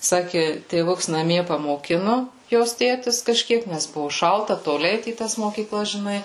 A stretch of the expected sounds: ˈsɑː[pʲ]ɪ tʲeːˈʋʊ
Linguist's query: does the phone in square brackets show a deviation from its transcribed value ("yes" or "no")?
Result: yes